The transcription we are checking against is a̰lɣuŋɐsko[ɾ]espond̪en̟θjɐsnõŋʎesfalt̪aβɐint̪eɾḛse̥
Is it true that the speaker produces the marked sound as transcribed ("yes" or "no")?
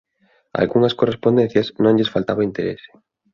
no